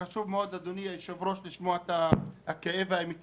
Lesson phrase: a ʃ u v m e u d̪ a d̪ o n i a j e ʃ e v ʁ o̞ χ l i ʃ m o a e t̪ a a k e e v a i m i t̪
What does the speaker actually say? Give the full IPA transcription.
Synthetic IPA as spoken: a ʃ u v m e o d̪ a d̪ o n i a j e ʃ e v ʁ o̞ ʃ l i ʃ m o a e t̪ a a k e e v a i m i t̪